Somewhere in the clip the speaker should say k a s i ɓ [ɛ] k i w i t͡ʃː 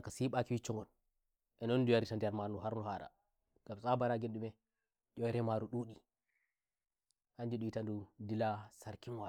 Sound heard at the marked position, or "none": a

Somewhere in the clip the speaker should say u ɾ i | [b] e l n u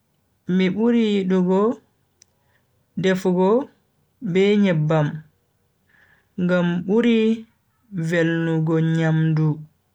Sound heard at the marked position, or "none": v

